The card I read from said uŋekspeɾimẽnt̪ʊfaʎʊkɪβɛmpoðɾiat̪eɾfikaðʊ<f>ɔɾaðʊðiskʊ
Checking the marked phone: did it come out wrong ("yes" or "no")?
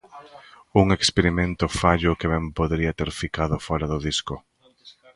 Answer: no